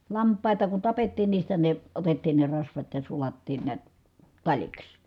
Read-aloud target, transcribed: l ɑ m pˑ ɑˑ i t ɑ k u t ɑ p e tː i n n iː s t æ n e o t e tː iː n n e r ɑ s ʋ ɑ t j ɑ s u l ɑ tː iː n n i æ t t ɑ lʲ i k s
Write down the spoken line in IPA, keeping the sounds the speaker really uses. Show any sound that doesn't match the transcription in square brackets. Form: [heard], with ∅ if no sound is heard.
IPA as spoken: l ɑ m pˑ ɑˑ i t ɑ k u t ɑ p e tː [iː] n n iː s t æ n e o t e tː iː n n e r ɑ s ʋ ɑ t j ɑ s u l ɑ tː iː n n i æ t t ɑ lʲ i k s